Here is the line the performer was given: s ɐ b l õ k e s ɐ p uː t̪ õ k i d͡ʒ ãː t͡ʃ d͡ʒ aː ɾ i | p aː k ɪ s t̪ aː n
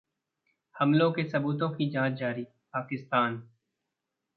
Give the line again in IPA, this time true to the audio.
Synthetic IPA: h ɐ m l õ k e s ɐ b uː t̪ õ k i d͡ʒ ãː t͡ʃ d͡ʒ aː ɾ i | p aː k ɪ s t̪ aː n